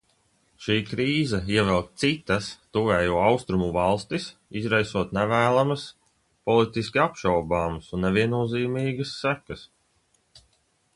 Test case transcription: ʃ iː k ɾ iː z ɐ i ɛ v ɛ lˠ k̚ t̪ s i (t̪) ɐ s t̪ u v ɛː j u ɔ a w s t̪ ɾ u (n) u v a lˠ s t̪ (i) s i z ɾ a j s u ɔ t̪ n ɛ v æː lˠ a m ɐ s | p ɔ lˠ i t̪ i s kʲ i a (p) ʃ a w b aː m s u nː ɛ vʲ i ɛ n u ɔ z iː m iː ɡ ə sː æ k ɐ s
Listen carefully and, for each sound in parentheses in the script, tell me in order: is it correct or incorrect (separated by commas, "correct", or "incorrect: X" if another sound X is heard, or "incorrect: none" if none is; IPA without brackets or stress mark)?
correct, incorrect: m, correct, correct